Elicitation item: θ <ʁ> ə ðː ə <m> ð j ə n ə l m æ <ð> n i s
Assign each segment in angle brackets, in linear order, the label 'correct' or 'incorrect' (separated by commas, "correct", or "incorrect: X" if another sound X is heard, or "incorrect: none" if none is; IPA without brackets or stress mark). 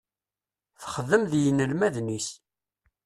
incorrect: χ, correct, correct